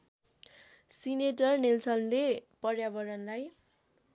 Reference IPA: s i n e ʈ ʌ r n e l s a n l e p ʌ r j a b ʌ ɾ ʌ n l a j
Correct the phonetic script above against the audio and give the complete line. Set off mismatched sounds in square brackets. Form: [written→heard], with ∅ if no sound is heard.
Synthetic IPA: s i n e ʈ ʌ r n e l s [a→ʌ] n l e p ʌ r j a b ʌ ɾ ʌ n l a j